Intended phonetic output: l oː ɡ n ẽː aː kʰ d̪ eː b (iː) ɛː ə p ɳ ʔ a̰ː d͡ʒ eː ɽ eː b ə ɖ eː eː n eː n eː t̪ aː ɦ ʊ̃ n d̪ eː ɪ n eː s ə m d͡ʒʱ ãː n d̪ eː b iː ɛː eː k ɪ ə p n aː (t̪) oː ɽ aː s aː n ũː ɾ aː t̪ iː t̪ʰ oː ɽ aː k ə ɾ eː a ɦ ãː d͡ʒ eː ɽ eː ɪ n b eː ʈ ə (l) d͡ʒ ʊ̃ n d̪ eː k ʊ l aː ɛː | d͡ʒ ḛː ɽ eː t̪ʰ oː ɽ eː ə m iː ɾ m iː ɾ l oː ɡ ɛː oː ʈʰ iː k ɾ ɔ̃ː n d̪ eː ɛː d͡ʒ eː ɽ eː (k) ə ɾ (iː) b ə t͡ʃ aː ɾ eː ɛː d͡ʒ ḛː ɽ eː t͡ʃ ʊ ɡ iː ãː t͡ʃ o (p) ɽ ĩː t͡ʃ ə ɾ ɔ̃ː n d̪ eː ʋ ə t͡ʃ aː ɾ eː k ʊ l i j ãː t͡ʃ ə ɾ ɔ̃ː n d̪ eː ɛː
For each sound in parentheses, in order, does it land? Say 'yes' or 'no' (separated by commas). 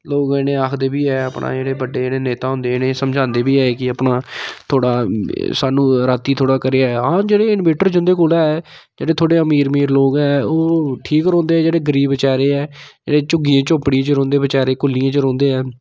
yes, no, no, no, yes, yes